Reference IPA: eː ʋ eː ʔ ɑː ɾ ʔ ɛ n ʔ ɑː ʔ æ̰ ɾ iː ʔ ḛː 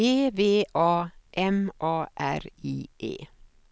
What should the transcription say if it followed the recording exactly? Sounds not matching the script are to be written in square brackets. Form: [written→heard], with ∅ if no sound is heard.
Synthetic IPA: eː ʋ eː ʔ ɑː [ɾ→∅] ʔ ɛ [n→m] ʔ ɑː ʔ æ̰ ɾ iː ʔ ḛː

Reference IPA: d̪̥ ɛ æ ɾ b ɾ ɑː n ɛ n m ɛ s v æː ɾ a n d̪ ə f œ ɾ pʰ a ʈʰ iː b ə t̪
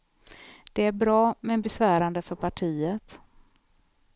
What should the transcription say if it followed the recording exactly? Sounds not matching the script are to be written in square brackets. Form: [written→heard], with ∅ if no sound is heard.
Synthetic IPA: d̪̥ ɛ æ ɾ b ɾ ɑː [n→m] ɛ n [m→b] ɛ s v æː ɾ a n d̪ ə f œ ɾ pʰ a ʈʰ iː [b→∅] ə t̪

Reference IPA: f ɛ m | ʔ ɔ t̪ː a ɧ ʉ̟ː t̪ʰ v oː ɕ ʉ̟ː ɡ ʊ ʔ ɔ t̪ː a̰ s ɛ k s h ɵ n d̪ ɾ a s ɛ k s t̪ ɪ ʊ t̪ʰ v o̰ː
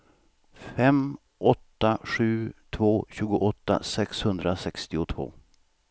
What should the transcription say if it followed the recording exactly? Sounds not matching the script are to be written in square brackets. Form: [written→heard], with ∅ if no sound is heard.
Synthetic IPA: f ɛ m | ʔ ɔ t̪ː a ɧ ʉ̟ː t̪ʰ v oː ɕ ʉ̟ː ɡ ʊ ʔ ɔ t̪ː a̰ s ɛ k s h ɵ n d̪ ɾ a s ɛ k s t̪ ɪ ʊ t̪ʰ v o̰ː

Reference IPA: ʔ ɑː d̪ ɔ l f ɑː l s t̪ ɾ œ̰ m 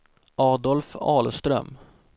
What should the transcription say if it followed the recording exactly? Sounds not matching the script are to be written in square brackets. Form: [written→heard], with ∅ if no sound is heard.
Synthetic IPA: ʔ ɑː d̪ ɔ l f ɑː l s t̪ ɾ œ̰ m

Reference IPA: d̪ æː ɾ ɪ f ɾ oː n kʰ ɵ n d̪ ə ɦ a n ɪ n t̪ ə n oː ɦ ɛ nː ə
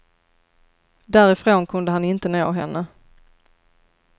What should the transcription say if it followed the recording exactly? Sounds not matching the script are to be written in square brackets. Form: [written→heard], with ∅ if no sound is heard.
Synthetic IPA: d̪ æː ɾ ɪ f ɾ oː n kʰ ɵ n d̪ ə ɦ a n ɪ n t̪ ə n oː ɦ ɛ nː ə

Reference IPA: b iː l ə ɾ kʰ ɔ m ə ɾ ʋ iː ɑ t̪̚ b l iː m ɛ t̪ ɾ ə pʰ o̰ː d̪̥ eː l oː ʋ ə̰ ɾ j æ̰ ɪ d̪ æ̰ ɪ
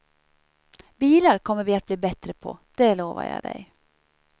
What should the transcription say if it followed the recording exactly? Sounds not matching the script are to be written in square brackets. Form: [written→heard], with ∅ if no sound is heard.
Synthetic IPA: b iː l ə ɾ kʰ ɔ m ə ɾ ʋ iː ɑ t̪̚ b l iː [m→b] ɛ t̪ ɾ ə pʰ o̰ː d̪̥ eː l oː ʋ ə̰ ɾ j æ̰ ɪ d̪ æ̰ ɪ

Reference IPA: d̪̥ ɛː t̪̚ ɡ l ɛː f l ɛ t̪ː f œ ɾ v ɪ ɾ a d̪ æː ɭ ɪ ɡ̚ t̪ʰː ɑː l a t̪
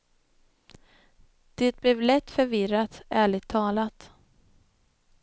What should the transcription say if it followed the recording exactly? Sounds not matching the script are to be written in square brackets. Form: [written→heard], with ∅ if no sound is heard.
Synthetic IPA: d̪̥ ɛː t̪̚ [ɡ→b] l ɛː [f→v] l ɛ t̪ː f œ ɾ v ɪ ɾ a [d̪→t̪] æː ɭ ɪ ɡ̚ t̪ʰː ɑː l a t̪

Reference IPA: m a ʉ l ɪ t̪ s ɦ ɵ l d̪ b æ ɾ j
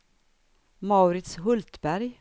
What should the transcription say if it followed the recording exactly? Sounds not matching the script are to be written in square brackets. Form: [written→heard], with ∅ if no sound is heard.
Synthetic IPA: m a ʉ [l→ɾ] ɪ t̪ s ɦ ɵ l [d̪→t̪] b æ ɾ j

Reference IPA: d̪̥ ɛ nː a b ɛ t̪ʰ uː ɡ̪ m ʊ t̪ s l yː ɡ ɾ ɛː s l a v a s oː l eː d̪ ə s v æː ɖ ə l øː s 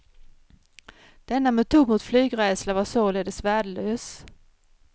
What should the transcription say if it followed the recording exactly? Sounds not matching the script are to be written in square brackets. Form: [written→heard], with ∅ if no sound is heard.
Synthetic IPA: d̪̥ ɛ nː a [b→m] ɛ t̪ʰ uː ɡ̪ m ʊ t̪ [s→f] l yː ɡ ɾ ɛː s l a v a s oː l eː d̪ ə s v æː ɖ ə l øː s

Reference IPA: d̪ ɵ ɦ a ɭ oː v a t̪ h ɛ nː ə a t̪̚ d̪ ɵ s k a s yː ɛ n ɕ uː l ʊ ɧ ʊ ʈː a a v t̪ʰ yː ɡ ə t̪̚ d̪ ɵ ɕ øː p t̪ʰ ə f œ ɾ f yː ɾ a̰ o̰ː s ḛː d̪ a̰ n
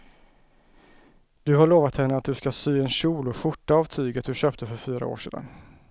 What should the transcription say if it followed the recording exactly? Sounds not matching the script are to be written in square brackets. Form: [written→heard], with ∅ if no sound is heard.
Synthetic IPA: d̪ ɵ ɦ a ɭ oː v a t̪ h ɛ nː ə a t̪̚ d̪ ɵ s k a s yː ɛ n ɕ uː l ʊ ɧ ʊ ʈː a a v t̪ʰ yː ɡ ə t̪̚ d̪ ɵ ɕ øː p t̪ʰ ə f œ ɾ f yː ɾ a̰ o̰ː [s→ʂ] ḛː d̪ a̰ n

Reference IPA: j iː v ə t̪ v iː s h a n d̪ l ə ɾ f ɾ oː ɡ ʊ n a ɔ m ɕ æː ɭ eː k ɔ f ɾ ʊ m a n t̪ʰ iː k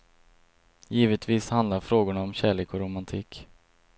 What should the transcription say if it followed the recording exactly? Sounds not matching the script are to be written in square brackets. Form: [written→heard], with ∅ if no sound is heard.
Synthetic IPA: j iː v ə t̪ v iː s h a n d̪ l [ə→a] ɾ f ɾ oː ɡ ʊ [n→ɳ] a ɔ m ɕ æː ɭ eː k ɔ [f→∅] ɾ ʊ m a n t̪ʰ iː k

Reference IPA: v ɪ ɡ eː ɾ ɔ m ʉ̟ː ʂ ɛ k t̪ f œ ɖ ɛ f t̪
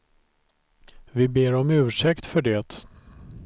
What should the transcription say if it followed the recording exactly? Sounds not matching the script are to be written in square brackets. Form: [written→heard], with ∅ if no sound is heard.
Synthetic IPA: v ɪ [ɡ→b] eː ɾ ɔ m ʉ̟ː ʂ ɛ k t̪ f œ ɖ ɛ [f→∅] t̪

